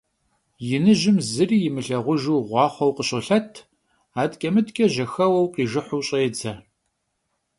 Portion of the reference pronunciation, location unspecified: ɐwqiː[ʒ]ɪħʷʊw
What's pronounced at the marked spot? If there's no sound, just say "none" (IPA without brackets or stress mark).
ʒ